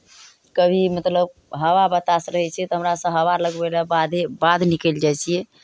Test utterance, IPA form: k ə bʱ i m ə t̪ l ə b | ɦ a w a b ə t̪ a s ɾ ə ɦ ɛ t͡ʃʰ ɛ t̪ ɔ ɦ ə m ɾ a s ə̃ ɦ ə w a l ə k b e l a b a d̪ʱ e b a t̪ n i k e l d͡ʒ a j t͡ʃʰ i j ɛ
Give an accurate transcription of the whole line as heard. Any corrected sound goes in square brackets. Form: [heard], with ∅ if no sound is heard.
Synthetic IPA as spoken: k ə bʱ i m ə t̪ l ə b | ɦ [ə] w a b ə t̪ a s ɾ ə ɦ ɛ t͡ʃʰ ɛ t̪ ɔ ɦ ə m ɾ a s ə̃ ɦ ə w a l ə [ɡ] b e l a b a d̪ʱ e b a [d̪] n i k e l d͡ʒ a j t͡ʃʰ i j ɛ